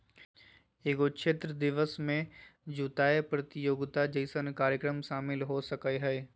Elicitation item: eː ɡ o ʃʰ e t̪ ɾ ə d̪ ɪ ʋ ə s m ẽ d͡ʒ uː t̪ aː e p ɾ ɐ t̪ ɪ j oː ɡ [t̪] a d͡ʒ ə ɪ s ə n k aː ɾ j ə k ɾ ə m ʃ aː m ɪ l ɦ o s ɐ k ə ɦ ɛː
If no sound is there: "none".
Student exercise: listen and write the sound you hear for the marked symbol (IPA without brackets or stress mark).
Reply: t̪